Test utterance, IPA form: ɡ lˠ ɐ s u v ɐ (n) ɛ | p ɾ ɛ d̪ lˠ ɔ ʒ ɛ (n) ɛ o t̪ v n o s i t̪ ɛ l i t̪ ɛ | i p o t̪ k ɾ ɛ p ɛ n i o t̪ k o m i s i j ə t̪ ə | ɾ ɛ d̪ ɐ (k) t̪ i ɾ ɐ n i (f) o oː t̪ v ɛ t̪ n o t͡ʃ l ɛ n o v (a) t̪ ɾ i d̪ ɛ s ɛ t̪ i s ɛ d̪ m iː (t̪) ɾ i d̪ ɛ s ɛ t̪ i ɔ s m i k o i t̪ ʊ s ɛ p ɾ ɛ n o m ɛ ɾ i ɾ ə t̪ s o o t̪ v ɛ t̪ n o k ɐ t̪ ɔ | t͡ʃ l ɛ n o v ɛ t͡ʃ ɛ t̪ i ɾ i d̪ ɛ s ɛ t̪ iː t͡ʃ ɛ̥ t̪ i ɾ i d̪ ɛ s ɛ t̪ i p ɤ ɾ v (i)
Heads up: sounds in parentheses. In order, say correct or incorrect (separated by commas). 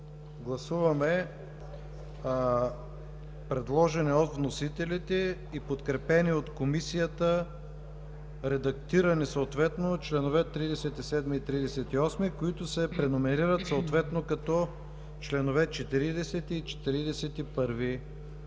incorrect, correct, correct, incorrect, incorrect, correct, correct